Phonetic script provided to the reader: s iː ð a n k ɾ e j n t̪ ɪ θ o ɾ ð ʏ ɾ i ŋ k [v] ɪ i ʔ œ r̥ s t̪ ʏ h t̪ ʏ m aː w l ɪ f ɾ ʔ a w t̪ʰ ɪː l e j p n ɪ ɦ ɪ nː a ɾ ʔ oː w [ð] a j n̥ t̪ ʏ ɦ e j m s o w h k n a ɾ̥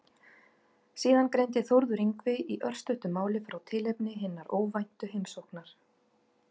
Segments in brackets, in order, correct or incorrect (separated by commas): correct, incorrect